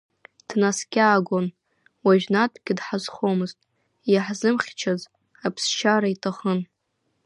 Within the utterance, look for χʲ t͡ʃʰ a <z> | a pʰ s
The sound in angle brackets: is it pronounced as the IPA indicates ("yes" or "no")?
yes